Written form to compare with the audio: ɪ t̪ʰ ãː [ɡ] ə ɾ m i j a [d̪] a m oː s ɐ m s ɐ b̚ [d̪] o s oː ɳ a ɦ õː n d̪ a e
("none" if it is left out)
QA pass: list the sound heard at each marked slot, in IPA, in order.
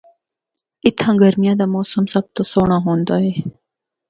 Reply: ɡ, d̪, t̪

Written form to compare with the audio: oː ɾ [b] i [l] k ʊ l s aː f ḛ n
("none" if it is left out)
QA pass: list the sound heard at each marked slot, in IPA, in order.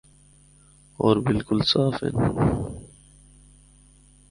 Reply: b, l

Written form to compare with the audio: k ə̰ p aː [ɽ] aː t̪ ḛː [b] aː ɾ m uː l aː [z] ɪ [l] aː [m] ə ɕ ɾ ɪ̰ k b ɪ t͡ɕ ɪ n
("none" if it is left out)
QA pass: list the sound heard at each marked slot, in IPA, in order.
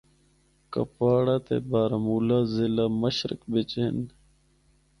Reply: ɽ, b, z, l, m

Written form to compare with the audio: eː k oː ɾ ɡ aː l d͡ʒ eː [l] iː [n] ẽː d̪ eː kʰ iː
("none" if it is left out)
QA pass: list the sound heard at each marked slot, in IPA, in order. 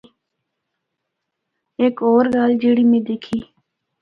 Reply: ɽ, m

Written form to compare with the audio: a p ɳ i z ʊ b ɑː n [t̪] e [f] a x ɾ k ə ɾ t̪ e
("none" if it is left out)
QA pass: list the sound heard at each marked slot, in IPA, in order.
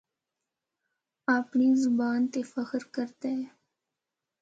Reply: t̪, f

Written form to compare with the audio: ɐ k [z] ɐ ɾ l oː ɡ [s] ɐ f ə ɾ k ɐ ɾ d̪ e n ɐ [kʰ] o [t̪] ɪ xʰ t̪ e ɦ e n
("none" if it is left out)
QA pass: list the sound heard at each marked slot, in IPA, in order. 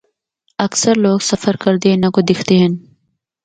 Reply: s, s, k, d̪

